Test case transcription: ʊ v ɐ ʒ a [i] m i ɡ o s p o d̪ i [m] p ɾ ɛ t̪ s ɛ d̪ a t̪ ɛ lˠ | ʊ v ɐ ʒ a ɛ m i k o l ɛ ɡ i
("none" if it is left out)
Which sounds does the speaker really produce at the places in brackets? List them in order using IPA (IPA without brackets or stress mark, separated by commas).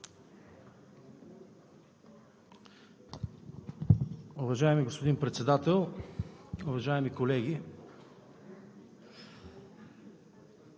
ɛ, n